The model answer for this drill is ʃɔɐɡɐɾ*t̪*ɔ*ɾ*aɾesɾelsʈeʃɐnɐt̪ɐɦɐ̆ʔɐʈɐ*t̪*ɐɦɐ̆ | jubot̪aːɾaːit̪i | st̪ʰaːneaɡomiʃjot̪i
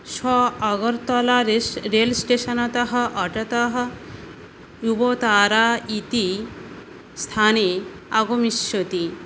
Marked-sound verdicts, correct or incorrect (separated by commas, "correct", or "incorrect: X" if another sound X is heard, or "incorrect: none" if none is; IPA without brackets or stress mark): correct, incorrect: l, correct